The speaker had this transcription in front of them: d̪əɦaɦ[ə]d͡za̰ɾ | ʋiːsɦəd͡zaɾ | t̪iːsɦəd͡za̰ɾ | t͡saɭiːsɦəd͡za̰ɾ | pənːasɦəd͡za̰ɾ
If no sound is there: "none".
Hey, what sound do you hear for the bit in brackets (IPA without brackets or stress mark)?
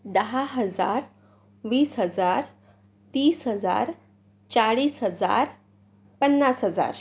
ə